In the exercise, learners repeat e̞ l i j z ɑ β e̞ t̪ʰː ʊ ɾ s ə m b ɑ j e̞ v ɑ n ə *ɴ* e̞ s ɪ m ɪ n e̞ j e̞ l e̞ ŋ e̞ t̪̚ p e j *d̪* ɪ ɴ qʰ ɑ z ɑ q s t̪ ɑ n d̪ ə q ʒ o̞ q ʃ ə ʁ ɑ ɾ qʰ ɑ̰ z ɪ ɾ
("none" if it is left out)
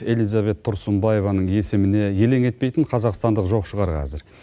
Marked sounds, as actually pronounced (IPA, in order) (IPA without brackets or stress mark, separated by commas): ɴ, t̪